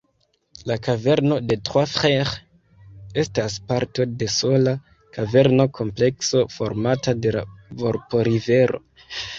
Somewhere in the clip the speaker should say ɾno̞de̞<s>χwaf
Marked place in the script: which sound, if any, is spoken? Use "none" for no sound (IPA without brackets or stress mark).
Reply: t